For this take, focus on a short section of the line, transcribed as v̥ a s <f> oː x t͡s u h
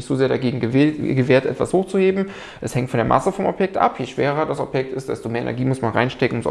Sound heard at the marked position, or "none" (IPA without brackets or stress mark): h